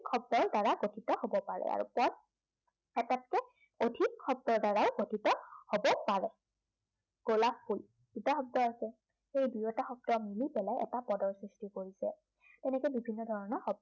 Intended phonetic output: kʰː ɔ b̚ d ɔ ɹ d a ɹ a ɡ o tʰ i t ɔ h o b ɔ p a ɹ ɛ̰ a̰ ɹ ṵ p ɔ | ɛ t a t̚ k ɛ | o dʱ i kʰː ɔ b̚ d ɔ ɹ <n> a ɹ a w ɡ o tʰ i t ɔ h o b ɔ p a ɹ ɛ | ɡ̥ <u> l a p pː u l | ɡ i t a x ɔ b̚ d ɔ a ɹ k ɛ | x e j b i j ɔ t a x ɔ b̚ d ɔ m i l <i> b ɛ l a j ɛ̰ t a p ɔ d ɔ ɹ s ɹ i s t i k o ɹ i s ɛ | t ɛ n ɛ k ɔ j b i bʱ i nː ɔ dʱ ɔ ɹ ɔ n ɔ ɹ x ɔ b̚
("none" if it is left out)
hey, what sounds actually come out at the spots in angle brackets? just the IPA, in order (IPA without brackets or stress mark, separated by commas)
d, o, i